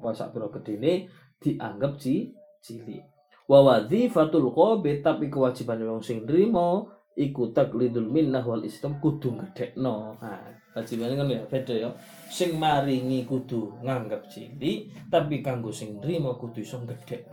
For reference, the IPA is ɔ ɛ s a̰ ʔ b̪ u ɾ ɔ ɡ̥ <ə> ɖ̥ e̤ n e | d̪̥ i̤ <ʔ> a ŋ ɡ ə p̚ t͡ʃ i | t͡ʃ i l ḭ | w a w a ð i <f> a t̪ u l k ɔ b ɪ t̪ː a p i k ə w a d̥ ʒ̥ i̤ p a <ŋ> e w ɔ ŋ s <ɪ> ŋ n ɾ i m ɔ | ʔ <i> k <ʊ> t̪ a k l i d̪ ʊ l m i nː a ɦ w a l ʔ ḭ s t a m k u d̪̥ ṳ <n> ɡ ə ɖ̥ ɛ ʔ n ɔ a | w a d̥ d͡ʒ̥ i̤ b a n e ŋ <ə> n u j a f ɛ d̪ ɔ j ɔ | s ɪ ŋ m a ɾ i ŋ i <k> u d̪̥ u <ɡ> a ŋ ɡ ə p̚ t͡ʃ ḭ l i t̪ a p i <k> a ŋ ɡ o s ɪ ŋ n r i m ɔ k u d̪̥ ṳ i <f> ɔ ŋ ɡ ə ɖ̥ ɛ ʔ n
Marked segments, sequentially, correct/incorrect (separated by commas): correct, correct, correct, incorrect, correct, correct, incorrect, incorrect, correct, correct, incorrect, correct, incorrect